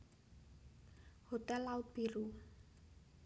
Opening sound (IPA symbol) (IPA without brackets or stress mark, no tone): h